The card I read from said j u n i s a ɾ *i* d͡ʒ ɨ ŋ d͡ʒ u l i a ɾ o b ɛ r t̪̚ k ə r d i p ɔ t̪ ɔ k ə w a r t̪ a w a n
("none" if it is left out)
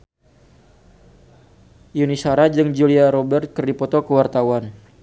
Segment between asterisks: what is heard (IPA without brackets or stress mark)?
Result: a